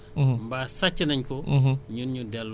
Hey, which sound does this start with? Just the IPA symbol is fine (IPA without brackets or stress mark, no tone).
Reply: m